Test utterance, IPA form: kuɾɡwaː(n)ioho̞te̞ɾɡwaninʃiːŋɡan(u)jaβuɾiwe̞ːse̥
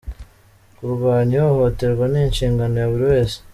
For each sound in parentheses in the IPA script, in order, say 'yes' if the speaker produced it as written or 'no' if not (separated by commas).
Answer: no, no